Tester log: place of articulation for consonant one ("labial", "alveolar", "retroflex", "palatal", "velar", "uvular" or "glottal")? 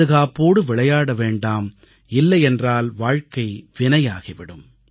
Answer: velar